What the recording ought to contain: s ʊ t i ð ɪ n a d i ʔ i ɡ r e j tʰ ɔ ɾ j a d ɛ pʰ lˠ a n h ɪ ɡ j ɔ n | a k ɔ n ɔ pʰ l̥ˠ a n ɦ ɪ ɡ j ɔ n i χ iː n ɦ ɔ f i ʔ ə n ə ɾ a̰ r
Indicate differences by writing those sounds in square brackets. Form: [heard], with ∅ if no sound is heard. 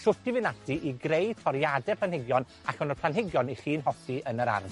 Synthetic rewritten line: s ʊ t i [v] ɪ n a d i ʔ i ɡ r e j tʰ ɔ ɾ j a d ɛ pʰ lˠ a n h ɪ ɡ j ɔ n | a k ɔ n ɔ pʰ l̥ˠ a n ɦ ɪ ɡ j ɔ n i χ iː n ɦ ɔ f i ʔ ə n ə ɾ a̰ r